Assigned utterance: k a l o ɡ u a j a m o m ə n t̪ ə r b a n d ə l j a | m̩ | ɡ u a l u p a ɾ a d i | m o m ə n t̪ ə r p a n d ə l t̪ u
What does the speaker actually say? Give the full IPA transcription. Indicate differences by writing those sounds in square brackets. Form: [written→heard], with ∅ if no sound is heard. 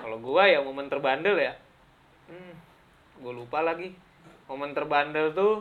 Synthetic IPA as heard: k a l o ɡ u a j a m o m ə n t̪ ə r b a n d ə l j a | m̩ | ɡ u a l u p a [ɾ→l] a [d→ɡ] i | m o m ə n t̪ ə r [p→b] a n d ə l t̪ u